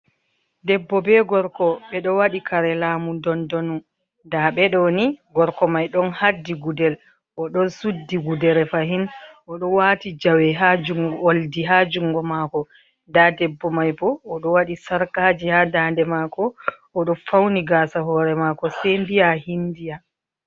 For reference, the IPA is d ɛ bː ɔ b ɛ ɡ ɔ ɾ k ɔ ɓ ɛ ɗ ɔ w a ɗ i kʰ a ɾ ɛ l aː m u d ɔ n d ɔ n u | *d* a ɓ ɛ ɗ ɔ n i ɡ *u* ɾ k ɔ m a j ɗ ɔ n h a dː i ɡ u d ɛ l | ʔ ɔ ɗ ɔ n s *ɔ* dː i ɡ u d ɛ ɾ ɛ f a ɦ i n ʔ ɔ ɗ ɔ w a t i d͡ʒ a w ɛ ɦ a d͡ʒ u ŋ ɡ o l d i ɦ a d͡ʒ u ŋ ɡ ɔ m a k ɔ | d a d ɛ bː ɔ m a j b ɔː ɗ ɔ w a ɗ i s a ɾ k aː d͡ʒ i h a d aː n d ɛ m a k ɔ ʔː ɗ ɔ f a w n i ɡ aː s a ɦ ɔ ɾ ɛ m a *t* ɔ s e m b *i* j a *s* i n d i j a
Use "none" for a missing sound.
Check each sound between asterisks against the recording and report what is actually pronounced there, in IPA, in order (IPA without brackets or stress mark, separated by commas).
d, ɔ, u, k, i, h